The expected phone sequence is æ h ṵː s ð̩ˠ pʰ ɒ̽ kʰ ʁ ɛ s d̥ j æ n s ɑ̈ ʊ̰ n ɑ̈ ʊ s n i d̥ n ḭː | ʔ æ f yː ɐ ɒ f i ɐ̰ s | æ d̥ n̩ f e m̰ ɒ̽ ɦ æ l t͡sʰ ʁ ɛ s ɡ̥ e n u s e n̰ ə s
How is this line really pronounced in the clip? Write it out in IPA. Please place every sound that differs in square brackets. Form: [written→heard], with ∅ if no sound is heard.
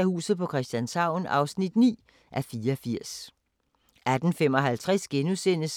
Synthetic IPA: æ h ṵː s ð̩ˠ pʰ ɒ̽ kʰ ʁ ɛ s d̥ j æ n s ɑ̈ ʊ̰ n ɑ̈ ʊ s n i d̥ n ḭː | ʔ æ f [yː→iː] ɐ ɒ f i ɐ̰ s | æ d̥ n̩ f e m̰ ɒ̽ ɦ æ l t͡sʰ ʁ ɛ s ɡ̥ e n u s e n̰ ə s